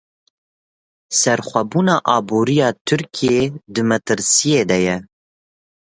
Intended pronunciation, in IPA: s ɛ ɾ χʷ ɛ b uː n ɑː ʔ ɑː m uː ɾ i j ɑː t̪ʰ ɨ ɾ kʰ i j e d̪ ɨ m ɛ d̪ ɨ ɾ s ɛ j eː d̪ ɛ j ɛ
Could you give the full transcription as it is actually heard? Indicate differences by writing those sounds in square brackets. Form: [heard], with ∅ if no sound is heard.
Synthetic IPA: s ɛ ɾ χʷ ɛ b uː n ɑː ʔ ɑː [b] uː ɾ i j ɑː t̪ʰ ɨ ɾ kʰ i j e d̪ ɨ m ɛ [t̪] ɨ ɾ s [i] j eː d̪ ɛ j ɛ